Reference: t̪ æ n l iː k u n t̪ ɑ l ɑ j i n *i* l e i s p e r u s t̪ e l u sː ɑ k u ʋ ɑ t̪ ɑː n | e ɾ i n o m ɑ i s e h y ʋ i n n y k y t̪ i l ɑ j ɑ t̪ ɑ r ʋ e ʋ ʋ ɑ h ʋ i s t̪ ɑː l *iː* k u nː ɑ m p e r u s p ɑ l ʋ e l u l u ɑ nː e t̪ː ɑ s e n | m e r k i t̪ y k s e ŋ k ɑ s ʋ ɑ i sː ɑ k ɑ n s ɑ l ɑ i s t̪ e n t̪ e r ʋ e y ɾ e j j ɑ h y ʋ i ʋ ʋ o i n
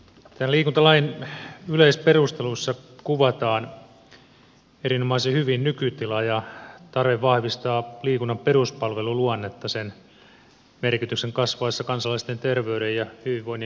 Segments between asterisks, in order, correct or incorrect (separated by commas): incorrect, correct